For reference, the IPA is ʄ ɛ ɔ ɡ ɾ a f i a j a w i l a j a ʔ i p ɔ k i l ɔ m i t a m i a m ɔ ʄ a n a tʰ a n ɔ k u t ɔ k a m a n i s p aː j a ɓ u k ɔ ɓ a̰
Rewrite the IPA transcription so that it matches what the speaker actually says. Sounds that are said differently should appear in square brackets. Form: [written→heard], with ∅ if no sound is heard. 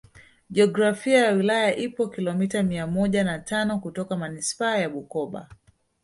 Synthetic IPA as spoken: ʄ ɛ ɔ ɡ ɾ a f i a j a w i l a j a ʔ i p ɔ k i l ɔ m i t a m i a m ɔ ʄ a n a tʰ a n ɔ k u t ɔ k a m a n i s p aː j a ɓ u k ɔ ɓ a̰